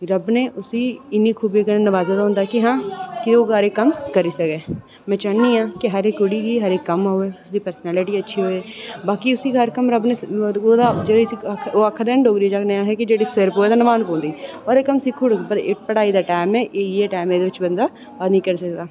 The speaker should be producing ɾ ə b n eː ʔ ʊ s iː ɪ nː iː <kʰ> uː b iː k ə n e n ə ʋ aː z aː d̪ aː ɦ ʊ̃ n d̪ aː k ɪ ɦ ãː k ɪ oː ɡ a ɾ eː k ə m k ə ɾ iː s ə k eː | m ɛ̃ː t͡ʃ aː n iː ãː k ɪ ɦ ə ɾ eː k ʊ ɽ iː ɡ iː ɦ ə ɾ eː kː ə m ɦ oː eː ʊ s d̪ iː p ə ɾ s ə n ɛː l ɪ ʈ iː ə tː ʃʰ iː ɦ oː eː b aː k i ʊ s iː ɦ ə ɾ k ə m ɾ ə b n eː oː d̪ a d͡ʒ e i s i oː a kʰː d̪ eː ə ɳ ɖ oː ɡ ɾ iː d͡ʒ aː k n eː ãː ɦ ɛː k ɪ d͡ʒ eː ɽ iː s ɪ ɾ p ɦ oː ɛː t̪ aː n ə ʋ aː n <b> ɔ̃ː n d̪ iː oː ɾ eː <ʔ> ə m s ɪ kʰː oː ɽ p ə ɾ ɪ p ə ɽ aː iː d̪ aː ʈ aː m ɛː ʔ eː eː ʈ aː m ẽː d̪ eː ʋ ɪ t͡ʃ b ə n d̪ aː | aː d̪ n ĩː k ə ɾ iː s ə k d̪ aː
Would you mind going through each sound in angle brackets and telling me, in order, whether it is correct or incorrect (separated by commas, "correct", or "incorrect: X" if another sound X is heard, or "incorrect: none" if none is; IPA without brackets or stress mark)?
correct, incorrect: p, incorrect: k